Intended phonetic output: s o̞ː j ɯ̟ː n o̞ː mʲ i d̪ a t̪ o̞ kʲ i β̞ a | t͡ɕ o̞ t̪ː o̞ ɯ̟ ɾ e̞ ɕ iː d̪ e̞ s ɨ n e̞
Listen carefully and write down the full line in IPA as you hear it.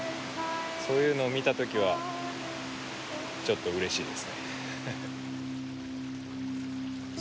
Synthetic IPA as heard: s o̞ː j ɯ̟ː n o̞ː mʲ i t̪ a t̪ o̞ kʲ i β̞ a | t͡ɕ o̞ t̪ː o̞ ɯ̟ ɾ e̞ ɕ iː d̪ e̞ s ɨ n e̞